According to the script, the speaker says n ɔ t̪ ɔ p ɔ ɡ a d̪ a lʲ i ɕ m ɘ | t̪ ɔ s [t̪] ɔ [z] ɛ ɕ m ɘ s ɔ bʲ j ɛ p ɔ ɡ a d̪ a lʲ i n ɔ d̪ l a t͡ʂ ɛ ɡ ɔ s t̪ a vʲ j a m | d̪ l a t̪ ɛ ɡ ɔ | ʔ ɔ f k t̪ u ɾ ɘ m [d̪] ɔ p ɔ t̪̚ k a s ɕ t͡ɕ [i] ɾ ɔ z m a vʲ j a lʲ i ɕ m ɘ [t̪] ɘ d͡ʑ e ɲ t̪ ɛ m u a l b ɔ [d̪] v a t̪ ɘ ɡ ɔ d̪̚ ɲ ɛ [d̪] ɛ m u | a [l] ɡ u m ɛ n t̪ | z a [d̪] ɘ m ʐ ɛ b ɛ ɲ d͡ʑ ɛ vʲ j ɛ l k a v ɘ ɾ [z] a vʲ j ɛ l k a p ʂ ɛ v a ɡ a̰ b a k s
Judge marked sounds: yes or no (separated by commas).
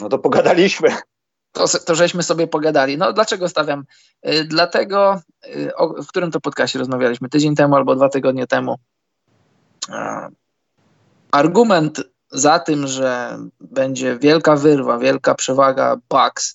yes, no, no, no, yes, yes, no, no, no, no